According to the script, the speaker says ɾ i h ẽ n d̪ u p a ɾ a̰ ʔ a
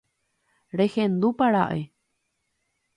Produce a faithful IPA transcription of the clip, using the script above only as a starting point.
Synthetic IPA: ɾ e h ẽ n d̪ u p a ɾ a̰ ʔ e